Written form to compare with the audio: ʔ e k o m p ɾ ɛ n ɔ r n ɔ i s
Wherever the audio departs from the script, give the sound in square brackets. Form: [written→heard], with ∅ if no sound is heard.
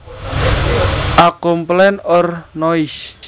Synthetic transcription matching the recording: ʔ [e→a] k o m p [ɾ→l] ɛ n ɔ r n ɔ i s